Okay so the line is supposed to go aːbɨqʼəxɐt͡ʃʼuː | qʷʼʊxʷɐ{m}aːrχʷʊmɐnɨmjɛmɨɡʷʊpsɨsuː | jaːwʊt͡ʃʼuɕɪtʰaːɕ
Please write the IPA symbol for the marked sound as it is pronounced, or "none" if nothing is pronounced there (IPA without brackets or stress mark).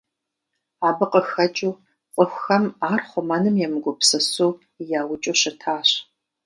m